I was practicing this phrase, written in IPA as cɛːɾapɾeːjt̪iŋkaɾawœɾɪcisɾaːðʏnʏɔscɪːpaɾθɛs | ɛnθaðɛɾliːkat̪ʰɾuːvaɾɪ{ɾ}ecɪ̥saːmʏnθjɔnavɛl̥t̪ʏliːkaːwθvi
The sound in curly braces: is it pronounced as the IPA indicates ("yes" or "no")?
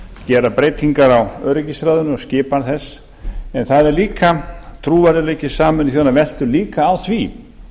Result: no